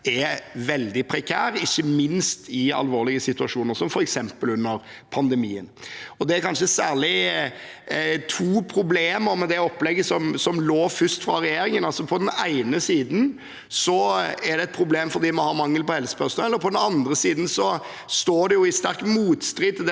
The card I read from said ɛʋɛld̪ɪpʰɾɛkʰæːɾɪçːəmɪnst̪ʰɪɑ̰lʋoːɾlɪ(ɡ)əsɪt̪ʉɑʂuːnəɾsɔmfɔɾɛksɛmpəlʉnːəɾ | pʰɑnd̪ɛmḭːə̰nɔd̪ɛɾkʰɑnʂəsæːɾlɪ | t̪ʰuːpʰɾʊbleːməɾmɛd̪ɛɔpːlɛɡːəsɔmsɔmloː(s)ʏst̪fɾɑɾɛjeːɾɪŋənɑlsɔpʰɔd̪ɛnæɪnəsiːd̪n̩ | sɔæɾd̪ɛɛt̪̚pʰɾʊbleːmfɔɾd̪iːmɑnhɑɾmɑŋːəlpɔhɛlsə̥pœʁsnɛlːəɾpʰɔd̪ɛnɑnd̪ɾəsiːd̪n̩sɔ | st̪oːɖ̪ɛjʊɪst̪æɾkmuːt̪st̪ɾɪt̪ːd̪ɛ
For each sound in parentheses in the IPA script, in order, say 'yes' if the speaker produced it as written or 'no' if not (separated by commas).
yes, no